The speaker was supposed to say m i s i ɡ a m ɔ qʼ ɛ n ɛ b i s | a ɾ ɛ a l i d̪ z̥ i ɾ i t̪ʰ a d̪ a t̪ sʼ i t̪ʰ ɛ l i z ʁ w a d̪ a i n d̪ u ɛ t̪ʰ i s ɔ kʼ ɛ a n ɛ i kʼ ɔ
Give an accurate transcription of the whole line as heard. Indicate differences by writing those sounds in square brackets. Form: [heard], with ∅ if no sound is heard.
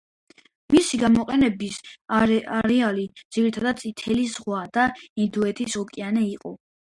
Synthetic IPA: m i s i ɡ a m ɔ qʼ ɛ n ɛ b i s | a ɾ ɛ a l i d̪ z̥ i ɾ i t̪ʰ a d̪ a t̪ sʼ i t̪ʰ ɛ l i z ʁ w a d̪ a i n d̪ u ɛ t̪ʰ i s ɔ kʼ [i] a n ɛ i [qʼ] ɔ